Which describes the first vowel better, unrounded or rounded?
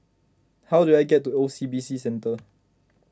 unrounded